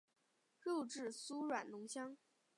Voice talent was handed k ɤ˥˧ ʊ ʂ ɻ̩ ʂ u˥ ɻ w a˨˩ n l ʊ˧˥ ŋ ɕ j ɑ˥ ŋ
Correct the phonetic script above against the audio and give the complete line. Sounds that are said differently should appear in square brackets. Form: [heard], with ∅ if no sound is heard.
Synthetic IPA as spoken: k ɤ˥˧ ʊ [ʈ͡ʂ] ɻ̩ [s] u˥ ɻ w a˨˩ n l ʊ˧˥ ŋ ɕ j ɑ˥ ŋ